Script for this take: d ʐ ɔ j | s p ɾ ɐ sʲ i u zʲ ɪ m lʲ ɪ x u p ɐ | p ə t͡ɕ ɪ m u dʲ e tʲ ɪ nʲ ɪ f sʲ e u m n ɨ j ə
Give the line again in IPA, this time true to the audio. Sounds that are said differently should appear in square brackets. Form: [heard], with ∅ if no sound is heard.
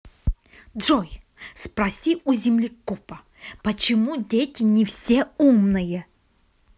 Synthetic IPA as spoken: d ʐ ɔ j | s p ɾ ɐ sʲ i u zʲ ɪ m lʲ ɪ [k] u p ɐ | p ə t͡ɕ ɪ m u dʲ e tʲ ɪ nʲ ɪ f sʲ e u m n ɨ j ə